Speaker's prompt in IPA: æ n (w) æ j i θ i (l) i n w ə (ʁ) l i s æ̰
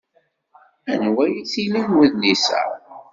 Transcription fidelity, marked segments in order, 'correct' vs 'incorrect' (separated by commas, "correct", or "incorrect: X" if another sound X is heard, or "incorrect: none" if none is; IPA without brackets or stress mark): correct, correct, incorrect: ð